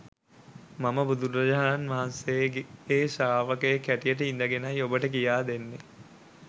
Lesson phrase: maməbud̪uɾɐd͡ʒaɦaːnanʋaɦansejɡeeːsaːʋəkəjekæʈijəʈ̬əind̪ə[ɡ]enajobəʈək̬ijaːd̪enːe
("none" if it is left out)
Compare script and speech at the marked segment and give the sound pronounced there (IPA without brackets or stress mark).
ɡ